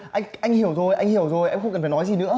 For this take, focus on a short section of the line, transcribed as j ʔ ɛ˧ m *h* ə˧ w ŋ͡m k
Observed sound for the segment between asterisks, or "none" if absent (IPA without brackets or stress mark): x